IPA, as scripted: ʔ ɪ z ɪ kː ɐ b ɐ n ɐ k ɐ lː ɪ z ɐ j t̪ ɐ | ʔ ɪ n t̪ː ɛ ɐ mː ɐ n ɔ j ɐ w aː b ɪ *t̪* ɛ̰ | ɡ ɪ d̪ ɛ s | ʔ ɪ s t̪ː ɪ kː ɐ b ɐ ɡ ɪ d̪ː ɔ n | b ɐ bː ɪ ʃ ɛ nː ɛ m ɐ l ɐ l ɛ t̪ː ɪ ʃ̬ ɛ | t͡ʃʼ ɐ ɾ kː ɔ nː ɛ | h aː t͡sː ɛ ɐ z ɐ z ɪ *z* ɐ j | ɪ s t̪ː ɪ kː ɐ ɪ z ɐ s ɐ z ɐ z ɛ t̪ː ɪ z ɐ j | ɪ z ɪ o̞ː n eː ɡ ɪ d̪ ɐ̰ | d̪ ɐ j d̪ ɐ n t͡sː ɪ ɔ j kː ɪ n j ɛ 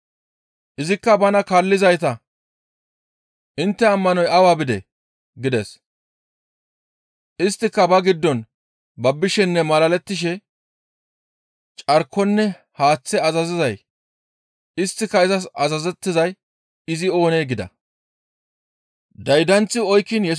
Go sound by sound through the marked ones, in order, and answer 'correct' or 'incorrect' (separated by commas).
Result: incorrect, correct